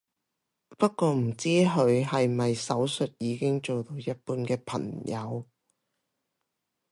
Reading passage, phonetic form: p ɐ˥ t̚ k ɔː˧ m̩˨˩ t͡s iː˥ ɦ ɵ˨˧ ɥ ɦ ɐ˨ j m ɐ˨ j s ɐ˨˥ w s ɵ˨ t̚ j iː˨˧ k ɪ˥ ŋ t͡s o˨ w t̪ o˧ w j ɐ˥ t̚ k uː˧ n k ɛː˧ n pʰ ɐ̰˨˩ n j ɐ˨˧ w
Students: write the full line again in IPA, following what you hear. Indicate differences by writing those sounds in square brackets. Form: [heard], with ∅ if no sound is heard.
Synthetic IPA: p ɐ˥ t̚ k ɔː˧ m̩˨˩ t͡s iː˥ ɦ ɵ˨˧ ɥ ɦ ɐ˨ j m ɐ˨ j s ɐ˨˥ w s ɵ˨ t̚ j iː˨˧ k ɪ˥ ŋ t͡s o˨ w t̪ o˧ w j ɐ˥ t̚ [p] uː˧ n k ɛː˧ [∅] pʰ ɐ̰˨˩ [ŋ] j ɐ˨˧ w

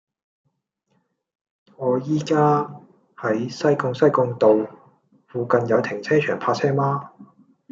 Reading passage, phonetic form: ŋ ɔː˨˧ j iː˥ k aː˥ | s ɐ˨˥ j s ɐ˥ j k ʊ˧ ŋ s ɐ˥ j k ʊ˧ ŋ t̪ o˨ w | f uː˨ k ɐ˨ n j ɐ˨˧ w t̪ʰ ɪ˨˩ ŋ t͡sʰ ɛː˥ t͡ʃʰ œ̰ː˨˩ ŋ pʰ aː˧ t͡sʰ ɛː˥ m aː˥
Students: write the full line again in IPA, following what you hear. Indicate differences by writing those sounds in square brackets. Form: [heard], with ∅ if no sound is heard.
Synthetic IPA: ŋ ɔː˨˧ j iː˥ k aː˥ | [h] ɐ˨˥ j s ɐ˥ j k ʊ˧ ŋ s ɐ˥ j k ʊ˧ ŋ t̪ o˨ w | f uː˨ k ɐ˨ n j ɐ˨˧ w t̪ʰ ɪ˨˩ ŋ t͡sʰ ɛː˥ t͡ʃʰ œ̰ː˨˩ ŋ pʰ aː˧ t͡sʰ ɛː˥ m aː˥

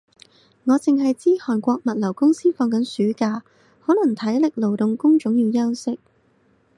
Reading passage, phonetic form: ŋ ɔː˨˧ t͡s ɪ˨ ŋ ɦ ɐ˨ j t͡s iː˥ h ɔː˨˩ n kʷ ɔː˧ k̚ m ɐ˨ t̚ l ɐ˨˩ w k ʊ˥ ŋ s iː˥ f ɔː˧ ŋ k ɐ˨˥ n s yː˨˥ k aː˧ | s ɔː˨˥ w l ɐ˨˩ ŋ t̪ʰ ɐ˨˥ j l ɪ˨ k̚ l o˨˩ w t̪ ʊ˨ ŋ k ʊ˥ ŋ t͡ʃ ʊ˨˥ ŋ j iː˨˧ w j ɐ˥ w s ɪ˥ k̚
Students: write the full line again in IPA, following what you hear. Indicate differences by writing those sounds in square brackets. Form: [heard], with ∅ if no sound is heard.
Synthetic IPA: ŋ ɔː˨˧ t͡s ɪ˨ ŋ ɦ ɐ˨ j t͡s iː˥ h ɔː˨˩ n kʷ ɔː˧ k̚ m ɐ˨ t̚ l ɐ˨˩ w k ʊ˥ ŋ s iː˥ f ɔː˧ ŋ k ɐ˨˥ n s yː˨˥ k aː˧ | [h] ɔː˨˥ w l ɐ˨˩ ŋ t̪ʰ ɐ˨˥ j l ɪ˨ k̚ l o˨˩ w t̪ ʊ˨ ŋ k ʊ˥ ŋ t͡ʃ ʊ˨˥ ŋ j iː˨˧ w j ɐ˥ w s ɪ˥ k̚

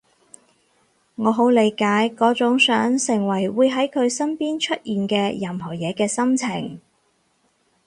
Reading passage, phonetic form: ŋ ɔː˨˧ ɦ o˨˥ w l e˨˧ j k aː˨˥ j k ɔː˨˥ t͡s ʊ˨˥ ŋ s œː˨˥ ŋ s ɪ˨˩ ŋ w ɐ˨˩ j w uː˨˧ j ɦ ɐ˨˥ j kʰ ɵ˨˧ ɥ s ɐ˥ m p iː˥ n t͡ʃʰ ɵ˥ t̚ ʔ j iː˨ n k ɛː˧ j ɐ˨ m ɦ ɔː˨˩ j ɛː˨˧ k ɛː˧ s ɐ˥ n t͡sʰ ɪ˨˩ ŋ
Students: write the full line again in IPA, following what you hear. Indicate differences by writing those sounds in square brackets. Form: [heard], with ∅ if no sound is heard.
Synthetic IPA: ŋ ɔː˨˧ ɦ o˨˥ w l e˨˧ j k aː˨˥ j k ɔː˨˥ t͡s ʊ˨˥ ŋ s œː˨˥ ŋ s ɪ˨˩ ŋ w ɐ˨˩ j w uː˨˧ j ɦ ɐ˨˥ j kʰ ɵ˨˧ ɥ s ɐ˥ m p iː˥ n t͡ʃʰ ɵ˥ t̚ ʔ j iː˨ n k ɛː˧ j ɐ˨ m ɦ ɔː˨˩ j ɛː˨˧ k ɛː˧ s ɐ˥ [m] t͡sʰ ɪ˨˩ ŋ

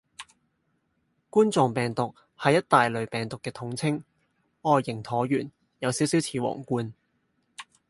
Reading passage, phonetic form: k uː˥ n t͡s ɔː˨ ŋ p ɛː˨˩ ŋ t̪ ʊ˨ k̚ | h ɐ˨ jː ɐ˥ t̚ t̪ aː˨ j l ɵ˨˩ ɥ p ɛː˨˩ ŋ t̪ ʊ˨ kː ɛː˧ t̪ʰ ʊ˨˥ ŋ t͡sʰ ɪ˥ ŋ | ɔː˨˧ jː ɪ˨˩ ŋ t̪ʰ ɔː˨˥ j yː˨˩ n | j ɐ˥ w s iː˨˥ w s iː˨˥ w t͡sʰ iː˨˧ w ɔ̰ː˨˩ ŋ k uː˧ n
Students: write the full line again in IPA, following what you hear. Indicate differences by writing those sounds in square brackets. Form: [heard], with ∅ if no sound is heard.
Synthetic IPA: k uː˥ n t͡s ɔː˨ ŋ p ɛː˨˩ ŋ t̪ ʊ˨ k̚ | h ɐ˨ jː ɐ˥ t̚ t̪ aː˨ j l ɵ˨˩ ɥ p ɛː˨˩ ŋ t̪ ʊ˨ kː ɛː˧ t̪ʰ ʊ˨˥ ŋ t͡sʰ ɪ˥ ŋ | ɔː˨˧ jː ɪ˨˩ ŋ t̪ʰ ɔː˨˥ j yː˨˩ n | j [ɐ˨˧] w s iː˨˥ w s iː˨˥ w t͡sʰ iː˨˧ w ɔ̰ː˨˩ ŋ k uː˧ n

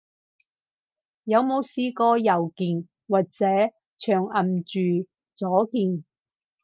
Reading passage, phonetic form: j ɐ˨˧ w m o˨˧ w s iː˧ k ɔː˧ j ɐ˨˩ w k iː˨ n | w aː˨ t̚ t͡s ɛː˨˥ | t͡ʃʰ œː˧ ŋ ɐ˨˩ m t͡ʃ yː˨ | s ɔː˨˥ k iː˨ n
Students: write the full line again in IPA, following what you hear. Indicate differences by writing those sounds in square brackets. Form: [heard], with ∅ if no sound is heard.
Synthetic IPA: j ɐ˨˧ w m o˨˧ w s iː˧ k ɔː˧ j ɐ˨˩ w k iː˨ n | w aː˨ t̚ t͡s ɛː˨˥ | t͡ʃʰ [œː˨˩] ŋ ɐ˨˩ m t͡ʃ yː˨ | [t͡s] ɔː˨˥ k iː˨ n

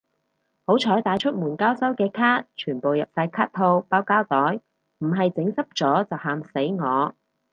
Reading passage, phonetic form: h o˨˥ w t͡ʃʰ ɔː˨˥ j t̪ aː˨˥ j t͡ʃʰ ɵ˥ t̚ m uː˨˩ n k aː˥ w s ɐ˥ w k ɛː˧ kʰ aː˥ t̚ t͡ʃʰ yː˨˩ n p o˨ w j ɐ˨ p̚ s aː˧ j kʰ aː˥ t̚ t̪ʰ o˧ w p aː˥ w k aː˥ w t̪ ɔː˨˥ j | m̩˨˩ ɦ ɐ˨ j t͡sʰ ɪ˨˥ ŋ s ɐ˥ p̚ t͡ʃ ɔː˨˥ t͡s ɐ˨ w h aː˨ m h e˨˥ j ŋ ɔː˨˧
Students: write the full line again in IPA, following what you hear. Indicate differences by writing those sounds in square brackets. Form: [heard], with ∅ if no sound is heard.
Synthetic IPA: h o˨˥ w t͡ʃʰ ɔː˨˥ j t̪ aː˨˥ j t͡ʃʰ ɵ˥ t̚ m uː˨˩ n k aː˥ w s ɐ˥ w k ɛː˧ kʰ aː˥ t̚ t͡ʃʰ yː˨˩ n p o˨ w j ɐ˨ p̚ s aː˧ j kʰ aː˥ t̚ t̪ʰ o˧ w p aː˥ w k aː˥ w t̪ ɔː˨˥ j | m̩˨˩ ɦ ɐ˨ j [t͡s] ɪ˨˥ ŋ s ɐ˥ p̚ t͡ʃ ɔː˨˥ t͡s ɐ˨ w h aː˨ m [s] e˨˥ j ŋ ɔː˨˧

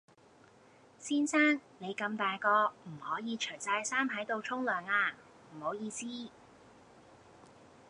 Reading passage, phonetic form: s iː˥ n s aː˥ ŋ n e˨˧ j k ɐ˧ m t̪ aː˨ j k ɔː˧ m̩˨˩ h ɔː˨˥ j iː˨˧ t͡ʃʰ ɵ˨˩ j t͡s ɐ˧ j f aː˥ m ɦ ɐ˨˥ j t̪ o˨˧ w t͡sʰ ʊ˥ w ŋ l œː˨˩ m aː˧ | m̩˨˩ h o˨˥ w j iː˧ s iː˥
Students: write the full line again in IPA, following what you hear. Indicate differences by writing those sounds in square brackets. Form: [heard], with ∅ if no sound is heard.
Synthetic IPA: s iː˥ n s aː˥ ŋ n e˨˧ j k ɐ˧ m t̪ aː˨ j k ɔː˧ m̩˨˩ h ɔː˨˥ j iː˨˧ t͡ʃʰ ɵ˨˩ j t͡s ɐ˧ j [s] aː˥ m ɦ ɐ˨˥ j t̪ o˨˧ w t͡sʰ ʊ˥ [∅] ŋ l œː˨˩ [ŋ] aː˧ | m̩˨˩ h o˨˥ w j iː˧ s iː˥

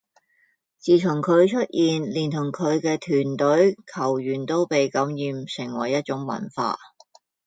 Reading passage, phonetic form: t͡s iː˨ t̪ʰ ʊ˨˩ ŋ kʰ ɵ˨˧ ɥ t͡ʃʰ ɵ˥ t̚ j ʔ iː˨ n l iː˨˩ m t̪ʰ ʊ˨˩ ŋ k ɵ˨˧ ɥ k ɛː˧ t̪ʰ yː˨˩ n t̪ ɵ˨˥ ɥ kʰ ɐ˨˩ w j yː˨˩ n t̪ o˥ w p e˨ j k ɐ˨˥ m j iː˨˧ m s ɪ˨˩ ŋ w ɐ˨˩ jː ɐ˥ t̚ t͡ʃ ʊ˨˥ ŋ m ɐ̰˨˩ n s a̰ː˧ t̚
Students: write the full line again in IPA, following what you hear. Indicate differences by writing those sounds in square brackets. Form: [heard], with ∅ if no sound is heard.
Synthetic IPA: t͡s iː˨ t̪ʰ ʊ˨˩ ŋ kʰ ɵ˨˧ ɥ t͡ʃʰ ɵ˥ t̚ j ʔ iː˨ n l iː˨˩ [n] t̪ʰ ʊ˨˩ ŋ [kʰ] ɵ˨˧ ɥ k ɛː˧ t̪ʰ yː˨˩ n t̪ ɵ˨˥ ɥ kʰ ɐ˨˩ w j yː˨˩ n t̪ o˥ w p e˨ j k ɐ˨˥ m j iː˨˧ m s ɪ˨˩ ŋ w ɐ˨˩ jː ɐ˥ t̚ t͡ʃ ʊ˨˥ ŋ m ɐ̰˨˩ n [f] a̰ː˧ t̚

